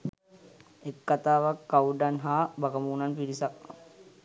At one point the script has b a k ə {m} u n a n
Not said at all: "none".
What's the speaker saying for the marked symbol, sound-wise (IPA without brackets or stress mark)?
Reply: m